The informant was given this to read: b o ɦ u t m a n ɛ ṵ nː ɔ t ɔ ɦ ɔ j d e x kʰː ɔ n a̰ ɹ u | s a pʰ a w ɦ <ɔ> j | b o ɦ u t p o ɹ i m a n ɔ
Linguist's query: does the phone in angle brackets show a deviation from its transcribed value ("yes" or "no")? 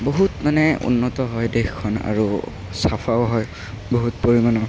no